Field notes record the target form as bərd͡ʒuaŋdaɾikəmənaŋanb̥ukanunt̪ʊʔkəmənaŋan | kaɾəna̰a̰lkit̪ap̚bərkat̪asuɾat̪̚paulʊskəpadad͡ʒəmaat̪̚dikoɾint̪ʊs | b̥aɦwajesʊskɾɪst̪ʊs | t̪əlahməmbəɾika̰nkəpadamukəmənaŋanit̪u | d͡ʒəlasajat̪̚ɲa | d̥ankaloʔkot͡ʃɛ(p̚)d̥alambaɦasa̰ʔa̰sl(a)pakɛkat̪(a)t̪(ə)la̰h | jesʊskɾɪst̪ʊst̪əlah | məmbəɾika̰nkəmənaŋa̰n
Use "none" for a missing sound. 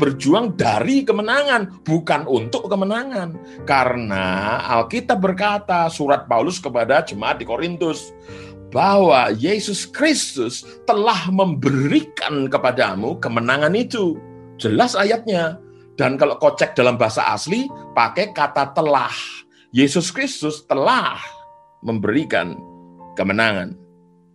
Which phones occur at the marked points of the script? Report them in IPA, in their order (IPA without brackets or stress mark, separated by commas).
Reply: k̚, i, a, ə